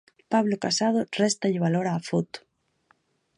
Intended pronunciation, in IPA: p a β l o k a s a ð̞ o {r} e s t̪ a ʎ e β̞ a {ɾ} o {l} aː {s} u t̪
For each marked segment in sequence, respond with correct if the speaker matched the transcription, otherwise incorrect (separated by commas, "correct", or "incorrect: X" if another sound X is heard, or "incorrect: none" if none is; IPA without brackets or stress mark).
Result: correct, incorrect: l, incorrect: ɾ, incorrect: f